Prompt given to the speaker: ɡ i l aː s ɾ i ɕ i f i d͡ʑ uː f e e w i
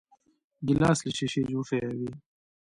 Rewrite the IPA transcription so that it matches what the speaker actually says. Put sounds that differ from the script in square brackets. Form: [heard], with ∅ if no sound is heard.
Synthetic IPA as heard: ɡ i l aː s [l] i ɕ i [ɕ] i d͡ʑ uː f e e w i